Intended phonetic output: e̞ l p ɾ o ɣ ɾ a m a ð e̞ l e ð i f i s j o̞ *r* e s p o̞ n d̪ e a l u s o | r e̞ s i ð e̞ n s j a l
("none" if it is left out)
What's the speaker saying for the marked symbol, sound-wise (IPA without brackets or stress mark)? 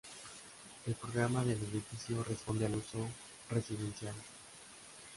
r